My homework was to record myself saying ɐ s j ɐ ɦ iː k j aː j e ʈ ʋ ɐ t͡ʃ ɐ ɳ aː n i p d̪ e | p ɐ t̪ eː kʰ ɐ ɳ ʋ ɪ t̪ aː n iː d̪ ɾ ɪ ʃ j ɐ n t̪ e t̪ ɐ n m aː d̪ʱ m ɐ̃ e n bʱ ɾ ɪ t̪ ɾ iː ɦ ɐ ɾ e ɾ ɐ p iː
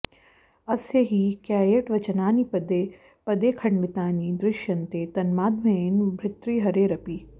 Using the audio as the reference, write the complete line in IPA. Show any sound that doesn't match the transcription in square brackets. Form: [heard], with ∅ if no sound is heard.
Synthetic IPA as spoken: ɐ s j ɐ ɦ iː k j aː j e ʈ ʋ ɐ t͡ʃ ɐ [n] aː n i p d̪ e | p ɐ [d̪] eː kʰ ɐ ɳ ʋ ɪ t̪ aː n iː d̪ ɾ ɪ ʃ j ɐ n t̪ e t̪ ɐ n m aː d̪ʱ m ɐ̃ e n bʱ ɾ ɪ t̪ ɾ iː ɦ ɐ ɾ e ɾ ɐ p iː